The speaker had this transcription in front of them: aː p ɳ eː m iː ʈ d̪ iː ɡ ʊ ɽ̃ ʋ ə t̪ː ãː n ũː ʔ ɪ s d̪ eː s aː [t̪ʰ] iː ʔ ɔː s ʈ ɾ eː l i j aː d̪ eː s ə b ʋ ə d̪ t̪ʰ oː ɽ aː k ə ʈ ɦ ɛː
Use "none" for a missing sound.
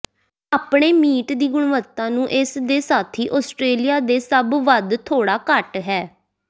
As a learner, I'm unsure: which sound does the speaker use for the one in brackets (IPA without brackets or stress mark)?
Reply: t̪ʰ